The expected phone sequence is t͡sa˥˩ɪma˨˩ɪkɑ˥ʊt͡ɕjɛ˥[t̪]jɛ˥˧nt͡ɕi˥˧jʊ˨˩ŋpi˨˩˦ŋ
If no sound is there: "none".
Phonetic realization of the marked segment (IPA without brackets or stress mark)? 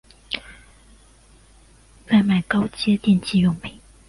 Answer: t̪